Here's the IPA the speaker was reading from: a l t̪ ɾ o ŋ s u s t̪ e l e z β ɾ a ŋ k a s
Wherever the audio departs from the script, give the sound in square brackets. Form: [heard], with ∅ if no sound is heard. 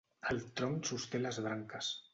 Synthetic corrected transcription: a l t̪ ɾ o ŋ s u s t̪ e l [a] z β ɾ a ŋ k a s